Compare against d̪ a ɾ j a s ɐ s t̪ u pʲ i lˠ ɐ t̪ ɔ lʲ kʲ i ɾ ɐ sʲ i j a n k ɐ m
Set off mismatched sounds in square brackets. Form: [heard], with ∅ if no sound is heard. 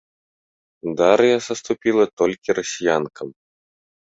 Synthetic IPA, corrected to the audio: d̪ a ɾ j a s ɐ s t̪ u pʲ i lˠ ɐ t̪ ɔ lʲ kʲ i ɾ ɐ sʲ i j a n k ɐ m